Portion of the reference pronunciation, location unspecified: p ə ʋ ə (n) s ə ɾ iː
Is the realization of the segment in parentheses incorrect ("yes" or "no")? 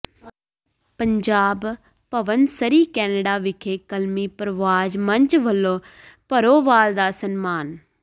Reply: no